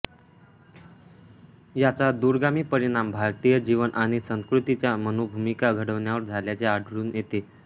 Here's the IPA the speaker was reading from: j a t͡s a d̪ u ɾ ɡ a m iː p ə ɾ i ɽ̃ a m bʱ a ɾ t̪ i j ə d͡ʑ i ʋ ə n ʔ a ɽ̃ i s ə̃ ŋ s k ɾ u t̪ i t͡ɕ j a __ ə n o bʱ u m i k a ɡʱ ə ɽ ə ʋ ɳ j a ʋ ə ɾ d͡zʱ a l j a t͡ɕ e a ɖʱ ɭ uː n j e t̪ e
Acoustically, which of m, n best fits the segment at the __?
m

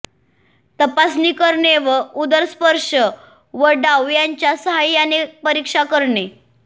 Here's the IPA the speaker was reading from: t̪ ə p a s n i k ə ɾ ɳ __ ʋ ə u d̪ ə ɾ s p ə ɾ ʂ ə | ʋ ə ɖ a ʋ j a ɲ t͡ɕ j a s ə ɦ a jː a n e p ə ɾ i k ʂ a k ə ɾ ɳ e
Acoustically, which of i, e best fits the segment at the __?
e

